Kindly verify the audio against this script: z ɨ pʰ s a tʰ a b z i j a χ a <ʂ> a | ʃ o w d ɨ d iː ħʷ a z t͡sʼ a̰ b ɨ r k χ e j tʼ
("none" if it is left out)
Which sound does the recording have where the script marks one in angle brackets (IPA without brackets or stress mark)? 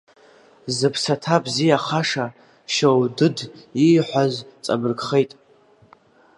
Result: ʂ